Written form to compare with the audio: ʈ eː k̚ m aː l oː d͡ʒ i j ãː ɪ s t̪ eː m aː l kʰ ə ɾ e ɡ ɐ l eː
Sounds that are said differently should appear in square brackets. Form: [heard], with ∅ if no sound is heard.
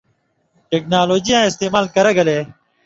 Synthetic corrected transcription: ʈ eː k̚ [n] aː l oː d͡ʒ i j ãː ɪ s t̪ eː m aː l [k] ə ɾ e ɡ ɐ l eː